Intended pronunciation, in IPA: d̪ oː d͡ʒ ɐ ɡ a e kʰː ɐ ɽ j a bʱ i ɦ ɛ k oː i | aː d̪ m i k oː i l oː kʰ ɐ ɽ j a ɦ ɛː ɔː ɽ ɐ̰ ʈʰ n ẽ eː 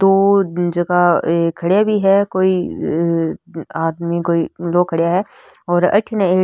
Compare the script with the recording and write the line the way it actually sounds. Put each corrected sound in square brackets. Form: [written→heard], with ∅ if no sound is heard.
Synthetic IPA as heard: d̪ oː d͡ʒ ɐ ɡ a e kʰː ɐ ɽ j a bʱ i ɦ ɛ k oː i | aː d̪ m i k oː i l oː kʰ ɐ ɽ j a ɦ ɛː ɔː [ɽ→ɾ] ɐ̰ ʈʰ n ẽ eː